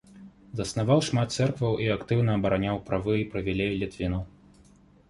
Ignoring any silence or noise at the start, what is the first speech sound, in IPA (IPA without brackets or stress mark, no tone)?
z